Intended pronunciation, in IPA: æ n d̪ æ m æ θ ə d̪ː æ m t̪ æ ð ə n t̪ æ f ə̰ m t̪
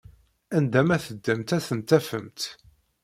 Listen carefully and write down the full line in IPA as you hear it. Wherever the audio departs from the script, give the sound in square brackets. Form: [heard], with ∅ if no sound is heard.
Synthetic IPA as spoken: æ n d̪ æ m æ θ ə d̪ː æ m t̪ æ [θ] ə n t̪ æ f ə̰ m t̪